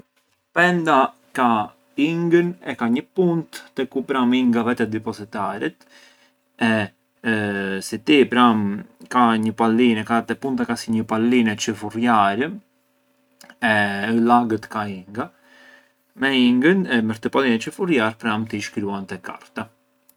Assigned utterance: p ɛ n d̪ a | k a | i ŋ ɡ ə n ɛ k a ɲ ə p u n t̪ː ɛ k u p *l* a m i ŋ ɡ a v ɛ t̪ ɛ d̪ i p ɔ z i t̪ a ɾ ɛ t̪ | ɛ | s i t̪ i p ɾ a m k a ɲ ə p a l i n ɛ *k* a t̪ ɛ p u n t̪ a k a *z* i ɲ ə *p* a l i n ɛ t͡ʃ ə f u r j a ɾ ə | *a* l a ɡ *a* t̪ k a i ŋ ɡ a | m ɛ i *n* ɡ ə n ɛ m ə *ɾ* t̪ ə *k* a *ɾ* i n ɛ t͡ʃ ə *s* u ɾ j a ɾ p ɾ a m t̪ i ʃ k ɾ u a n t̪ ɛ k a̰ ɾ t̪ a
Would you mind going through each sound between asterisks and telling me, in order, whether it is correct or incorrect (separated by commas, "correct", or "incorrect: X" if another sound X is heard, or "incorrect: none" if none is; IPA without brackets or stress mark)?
incorrect: ɾ, correct, incorrect: s, correct, incorrect: ɛ, incorrect: ə, incorrect: ŋ, correct, incorrect: p, incorrect: l, incorrect: f